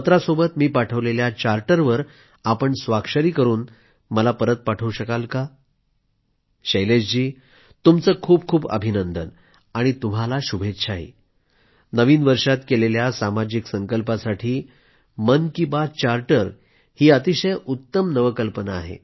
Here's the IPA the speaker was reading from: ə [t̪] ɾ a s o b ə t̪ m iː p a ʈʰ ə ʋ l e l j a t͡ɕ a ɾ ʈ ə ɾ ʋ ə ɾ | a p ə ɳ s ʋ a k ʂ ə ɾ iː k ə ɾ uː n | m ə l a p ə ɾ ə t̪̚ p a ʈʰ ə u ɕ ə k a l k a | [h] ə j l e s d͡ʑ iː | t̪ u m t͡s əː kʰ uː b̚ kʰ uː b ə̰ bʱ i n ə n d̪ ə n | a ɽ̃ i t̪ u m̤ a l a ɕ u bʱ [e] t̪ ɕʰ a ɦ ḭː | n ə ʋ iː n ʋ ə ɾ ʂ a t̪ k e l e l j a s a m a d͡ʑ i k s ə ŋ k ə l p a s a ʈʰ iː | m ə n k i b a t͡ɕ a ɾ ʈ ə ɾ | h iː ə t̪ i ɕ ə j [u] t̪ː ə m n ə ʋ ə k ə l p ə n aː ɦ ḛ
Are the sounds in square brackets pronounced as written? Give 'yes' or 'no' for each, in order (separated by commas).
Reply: yes, no, yes, yes